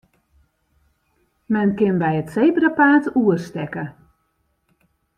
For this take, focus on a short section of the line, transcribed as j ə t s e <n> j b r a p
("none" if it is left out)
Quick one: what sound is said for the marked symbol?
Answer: none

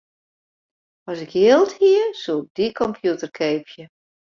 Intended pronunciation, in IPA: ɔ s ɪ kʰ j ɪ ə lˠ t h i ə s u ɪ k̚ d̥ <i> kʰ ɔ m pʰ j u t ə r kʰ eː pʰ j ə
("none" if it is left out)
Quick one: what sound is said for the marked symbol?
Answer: i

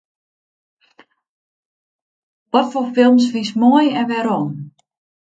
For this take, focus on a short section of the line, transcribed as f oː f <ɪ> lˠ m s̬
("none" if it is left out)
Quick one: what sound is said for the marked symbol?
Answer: ɪ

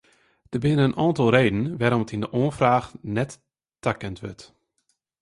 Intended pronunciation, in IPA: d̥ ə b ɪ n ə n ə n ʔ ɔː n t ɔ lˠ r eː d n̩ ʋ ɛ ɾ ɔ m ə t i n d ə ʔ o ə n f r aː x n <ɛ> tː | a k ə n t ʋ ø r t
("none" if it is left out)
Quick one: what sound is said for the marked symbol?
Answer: ɛ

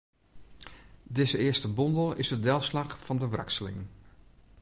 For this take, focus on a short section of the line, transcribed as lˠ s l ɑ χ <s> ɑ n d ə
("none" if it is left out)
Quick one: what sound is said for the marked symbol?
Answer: f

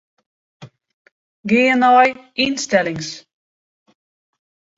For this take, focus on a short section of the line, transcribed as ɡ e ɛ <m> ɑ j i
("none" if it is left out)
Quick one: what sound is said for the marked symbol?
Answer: n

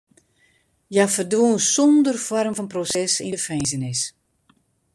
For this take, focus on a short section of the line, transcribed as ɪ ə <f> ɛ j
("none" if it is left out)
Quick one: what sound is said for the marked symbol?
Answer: f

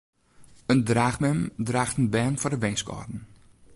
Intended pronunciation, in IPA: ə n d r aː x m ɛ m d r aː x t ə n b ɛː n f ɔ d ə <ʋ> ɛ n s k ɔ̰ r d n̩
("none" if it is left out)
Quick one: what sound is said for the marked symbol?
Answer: ʋ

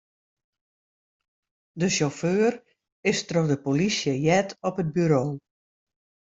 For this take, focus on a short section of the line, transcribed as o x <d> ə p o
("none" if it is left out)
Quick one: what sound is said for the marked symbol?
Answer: d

